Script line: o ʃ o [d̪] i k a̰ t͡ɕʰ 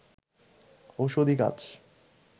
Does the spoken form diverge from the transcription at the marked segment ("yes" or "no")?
no